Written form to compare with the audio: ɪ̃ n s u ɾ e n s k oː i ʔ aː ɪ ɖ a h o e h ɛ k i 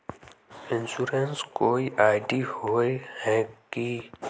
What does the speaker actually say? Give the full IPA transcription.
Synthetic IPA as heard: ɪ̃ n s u ɾ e n s k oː i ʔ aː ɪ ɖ i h o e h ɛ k i